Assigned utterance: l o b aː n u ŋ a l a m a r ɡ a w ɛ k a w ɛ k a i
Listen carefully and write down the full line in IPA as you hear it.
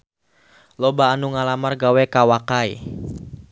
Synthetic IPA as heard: l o b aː n u ŋ a l a m a r ɡ a w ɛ k a w a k a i